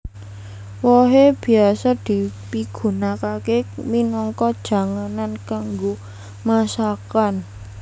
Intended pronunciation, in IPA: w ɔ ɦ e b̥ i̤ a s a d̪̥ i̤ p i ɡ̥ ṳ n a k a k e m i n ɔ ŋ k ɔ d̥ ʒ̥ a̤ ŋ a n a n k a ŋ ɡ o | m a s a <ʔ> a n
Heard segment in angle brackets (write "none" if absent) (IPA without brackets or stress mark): k